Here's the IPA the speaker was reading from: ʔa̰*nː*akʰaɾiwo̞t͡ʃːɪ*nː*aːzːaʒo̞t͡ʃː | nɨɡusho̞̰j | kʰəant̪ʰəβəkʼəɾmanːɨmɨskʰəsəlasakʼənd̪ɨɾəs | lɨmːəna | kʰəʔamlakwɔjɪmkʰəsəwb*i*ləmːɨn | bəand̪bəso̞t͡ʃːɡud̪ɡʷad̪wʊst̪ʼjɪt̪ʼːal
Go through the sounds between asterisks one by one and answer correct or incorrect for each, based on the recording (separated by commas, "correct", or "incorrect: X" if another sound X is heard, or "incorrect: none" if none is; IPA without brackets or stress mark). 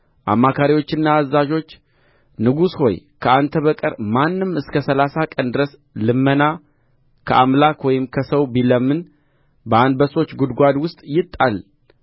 incorrect: mː, correct, correct